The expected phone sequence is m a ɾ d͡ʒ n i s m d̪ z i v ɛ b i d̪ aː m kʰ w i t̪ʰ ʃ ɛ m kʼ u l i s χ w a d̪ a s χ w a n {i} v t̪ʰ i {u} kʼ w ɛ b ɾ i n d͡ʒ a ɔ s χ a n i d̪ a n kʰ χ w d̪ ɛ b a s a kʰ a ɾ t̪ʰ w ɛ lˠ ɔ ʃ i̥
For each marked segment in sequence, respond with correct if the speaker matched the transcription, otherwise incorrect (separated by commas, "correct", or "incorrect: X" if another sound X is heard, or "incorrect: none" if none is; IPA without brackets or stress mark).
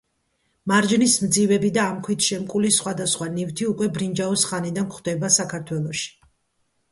correct, correct